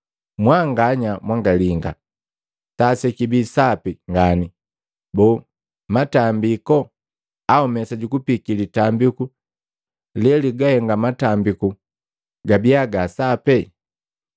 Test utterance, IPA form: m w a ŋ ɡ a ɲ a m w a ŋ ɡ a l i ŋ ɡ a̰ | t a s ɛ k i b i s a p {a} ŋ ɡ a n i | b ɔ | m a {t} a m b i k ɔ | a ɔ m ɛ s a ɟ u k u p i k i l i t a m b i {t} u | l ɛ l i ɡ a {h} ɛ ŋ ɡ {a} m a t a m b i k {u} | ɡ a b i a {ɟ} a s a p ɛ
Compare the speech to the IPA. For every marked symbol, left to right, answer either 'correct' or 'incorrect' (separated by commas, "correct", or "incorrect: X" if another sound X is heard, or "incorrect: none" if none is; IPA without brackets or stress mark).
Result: incorrect: i, correct, incorrect: k, correct, correct, correct, incorrect: ɡ